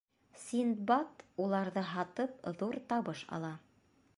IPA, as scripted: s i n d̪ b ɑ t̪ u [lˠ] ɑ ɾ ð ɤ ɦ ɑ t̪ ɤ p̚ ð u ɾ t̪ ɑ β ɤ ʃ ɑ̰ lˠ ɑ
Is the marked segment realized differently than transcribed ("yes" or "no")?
no